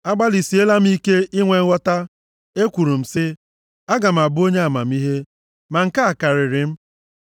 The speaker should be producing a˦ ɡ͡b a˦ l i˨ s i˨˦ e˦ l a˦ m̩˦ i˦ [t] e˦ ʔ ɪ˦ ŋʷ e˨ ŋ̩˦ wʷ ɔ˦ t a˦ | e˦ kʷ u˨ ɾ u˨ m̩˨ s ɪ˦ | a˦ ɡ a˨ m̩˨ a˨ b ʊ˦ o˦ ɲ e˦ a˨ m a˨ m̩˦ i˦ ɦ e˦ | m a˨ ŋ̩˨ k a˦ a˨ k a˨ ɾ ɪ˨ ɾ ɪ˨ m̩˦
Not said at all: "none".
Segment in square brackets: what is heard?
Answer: k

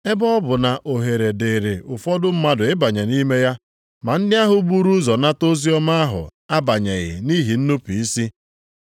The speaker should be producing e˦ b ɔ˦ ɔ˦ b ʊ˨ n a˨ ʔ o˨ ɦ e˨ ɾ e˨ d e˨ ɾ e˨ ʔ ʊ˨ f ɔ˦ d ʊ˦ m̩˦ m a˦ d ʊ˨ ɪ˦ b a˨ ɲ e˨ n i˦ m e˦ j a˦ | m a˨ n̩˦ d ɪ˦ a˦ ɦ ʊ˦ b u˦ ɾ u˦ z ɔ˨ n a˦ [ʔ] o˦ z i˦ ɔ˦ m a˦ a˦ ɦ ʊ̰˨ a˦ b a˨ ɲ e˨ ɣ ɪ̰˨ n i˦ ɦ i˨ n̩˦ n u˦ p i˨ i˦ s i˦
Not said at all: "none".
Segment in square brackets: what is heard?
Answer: t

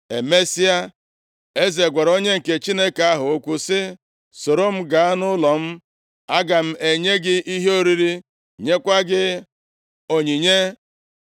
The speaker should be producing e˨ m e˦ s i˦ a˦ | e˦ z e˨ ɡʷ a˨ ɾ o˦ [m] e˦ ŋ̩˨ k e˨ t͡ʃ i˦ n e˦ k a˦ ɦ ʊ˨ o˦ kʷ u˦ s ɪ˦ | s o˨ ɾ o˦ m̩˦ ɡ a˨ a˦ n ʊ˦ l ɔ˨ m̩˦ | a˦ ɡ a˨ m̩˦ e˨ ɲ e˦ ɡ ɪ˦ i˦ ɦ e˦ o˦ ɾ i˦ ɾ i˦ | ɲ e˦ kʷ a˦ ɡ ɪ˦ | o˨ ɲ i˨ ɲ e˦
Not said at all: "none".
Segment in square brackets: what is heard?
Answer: ɲ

